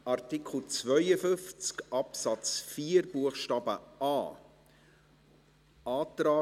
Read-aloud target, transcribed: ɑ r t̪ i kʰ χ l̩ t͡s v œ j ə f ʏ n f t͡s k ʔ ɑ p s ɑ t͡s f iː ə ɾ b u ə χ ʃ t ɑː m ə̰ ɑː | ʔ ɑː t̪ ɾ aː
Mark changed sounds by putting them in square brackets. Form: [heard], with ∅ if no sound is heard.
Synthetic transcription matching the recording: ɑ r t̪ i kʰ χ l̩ t͡s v œ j ə f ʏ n f t͡s k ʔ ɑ p s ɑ t͡s f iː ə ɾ b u ə χ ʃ t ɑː [b] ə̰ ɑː | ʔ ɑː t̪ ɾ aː